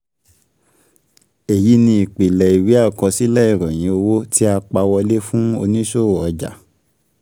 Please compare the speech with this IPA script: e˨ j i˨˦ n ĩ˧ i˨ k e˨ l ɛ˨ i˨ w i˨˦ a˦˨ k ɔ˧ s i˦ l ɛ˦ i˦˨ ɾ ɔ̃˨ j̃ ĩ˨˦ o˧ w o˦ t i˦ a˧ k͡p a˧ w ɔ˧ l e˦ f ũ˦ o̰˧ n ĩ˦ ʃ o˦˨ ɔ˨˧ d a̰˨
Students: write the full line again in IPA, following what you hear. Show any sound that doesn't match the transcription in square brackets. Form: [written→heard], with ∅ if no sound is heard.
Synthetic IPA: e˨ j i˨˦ n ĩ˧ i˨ [k→k͡p] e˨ l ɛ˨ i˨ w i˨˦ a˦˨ k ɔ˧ s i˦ l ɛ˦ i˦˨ ɾ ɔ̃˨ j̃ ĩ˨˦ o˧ w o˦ t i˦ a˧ k͡p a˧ w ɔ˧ l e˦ f ũ˦ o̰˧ n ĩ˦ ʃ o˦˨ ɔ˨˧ [d→d͡ʒ] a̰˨